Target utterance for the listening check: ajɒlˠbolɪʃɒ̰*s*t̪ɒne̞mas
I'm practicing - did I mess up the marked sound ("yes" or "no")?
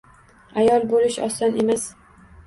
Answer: no